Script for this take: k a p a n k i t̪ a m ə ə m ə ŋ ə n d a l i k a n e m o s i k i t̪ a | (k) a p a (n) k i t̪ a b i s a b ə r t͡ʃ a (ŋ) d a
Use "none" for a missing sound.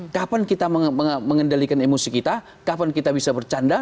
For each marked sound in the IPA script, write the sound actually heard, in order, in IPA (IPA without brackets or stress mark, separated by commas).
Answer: k, n, n